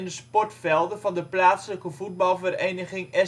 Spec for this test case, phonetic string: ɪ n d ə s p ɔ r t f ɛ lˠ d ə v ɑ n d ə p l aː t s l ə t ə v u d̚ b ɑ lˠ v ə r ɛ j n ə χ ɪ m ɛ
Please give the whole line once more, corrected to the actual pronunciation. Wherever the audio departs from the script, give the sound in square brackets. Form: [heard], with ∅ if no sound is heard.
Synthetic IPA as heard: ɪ n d ə s p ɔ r t f ɛ lˠ d ə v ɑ n d ə p l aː t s l ə [k] ə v u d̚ b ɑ lˠ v ə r [e] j n ə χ ɪ [ŋ] ɛ